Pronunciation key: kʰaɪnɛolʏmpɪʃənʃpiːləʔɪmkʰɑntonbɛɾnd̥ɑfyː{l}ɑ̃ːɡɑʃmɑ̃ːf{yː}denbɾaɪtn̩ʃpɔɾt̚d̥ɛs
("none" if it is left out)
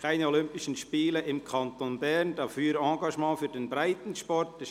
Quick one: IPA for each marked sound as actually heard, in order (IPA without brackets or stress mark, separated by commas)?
ɾ, yː